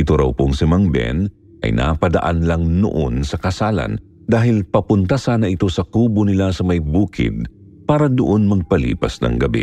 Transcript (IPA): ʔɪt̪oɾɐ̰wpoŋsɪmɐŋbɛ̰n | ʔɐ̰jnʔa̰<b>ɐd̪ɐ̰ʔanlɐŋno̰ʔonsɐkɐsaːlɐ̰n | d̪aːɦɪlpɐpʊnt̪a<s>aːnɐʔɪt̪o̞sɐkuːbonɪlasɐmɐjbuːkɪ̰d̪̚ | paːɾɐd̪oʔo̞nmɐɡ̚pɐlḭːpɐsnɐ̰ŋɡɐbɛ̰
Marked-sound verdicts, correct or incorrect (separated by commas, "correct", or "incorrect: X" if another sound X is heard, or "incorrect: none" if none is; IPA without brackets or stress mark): incorrect: p, correct